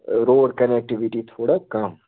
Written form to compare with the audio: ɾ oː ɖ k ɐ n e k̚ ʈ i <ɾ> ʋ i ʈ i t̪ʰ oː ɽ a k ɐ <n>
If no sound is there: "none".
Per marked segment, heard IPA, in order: none, m

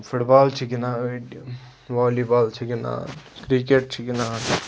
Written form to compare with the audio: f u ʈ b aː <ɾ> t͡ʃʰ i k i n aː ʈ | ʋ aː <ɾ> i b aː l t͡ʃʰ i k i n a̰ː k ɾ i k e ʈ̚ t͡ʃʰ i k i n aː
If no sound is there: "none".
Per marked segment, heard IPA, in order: l, l

